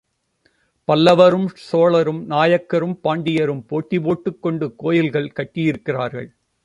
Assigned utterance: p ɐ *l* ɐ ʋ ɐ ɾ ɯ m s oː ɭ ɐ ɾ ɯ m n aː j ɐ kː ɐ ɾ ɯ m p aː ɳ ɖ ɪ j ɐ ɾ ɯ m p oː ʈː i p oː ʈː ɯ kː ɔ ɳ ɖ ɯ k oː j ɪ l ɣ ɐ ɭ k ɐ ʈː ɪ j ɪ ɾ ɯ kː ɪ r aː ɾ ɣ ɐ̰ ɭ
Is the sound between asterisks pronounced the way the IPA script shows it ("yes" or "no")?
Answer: no